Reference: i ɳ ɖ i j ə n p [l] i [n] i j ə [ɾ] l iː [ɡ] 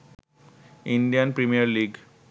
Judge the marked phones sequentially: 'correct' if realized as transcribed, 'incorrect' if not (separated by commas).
incorrect, incorrect, correct, correct